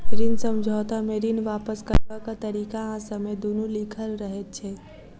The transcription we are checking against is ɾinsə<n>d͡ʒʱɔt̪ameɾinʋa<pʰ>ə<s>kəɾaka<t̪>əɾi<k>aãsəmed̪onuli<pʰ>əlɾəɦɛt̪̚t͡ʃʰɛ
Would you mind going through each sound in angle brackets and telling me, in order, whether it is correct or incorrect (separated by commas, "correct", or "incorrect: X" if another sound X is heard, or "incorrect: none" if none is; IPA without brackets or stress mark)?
incorrect: m, incorrect: p, correct, correct, correct, incorrect: kʰ